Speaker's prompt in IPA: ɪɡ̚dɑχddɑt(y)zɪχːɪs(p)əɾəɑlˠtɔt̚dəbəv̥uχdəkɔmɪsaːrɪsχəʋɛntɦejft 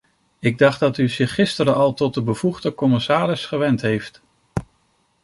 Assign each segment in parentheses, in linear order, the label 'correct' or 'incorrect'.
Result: correct, incorrect: t

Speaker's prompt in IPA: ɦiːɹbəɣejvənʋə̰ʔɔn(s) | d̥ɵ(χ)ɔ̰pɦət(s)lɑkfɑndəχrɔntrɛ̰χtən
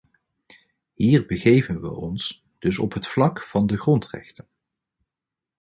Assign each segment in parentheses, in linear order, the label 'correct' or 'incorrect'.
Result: correct, incorrect: s, incorrect: f

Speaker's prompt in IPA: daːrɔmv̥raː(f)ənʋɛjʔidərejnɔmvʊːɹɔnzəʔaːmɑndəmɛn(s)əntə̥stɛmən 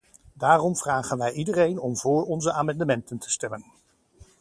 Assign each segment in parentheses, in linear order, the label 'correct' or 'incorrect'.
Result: incorrect: χ, incorrect: t

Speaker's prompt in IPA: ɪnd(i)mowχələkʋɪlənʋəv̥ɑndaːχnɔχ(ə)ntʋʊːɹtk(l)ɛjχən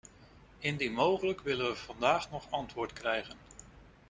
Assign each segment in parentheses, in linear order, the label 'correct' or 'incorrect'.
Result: correct, incorrect: ɑ, incorrect: r

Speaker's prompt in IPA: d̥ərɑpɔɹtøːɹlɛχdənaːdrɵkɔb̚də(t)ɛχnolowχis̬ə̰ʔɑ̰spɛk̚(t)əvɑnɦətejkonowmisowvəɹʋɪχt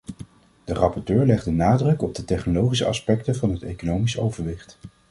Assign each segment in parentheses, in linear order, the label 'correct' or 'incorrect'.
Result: correct, correct

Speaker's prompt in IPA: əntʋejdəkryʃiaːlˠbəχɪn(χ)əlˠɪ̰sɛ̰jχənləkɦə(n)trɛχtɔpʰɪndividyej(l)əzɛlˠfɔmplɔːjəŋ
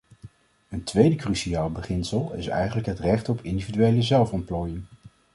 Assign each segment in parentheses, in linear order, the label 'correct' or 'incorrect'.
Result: incorrect: s, incorrect: none, correct

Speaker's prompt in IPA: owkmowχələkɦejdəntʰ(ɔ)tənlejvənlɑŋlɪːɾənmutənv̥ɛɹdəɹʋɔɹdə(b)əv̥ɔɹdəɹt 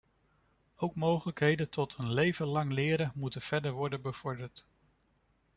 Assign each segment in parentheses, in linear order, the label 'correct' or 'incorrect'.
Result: correct, correct

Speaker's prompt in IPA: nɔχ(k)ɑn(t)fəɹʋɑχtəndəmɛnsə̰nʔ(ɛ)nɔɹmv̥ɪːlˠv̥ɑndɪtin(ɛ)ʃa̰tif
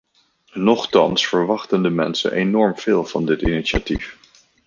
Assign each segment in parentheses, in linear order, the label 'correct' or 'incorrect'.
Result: incorrect: t, incorrect: s, incorrect: e, incorrect: i

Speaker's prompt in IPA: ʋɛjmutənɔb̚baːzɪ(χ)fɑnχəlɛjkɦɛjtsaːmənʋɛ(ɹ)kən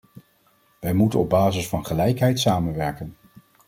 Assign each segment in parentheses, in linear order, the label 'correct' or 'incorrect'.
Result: incorrect: s, correct

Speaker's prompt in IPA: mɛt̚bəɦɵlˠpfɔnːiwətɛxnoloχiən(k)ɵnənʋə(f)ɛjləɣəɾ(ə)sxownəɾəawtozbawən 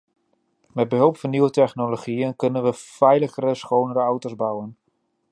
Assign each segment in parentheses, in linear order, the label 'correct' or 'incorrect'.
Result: correct, correct, correct

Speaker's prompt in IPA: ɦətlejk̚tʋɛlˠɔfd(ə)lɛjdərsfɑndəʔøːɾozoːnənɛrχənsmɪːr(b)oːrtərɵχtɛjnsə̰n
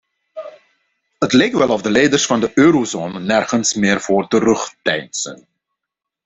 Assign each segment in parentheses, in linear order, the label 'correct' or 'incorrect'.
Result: correct, incorrect: v

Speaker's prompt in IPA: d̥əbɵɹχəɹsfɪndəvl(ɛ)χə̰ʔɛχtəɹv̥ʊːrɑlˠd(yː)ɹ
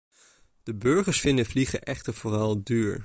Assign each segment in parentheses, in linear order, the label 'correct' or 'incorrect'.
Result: incorrect: i, correct

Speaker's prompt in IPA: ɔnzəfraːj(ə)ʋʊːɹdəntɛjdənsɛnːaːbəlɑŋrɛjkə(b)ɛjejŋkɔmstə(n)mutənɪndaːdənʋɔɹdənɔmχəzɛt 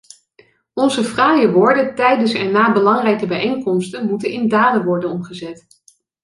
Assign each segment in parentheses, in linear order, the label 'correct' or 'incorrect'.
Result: correct, correct, correct

